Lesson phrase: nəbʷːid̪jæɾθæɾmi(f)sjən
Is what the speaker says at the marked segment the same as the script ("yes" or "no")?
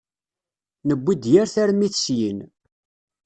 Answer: no